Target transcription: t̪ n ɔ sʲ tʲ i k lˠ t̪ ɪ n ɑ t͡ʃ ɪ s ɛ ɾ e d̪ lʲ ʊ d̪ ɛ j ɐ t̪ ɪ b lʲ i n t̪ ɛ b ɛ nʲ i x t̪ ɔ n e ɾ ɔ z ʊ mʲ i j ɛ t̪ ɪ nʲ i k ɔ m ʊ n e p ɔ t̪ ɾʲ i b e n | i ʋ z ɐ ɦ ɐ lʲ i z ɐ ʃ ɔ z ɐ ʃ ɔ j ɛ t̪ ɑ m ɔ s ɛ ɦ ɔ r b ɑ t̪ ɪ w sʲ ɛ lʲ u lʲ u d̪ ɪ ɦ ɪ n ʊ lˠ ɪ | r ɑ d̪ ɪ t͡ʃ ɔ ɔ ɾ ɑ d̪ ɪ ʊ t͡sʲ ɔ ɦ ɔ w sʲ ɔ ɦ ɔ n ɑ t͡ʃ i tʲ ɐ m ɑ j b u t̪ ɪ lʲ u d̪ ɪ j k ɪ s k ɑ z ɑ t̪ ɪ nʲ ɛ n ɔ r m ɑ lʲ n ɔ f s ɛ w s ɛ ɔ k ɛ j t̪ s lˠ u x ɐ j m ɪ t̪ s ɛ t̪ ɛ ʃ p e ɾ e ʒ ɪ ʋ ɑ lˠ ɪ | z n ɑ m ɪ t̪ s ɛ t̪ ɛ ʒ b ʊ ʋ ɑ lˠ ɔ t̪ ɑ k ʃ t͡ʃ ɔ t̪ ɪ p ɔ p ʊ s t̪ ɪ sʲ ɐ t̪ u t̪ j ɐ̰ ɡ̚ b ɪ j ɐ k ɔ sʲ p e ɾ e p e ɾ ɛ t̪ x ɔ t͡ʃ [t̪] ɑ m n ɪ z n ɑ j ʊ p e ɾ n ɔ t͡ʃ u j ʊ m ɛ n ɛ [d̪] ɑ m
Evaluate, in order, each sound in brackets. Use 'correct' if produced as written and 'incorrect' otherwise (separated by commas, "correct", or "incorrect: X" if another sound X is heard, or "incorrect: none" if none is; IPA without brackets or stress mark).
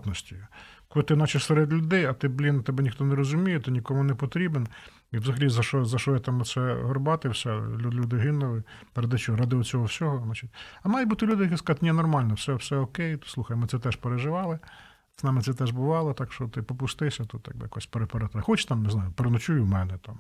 correct, incorrect: t̪